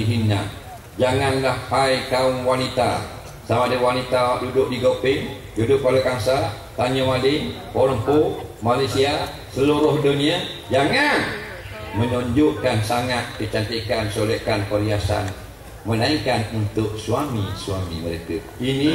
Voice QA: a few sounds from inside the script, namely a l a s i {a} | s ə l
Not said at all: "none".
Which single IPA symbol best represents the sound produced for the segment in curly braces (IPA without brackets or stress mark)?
a